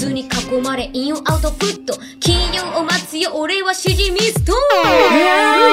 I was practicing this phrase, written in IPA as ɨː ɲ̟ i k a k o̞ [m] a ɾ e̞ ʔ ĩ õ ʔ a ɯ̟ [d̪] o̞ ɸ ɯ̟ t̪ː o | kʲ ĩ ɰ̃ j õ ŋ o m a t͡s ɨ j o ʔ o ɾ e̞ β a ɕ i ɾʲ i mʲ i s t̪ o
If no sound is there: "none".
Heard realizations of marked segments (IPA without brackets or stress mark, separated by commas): m, t̪